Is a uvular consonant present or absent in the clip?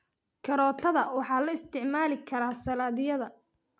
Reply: absent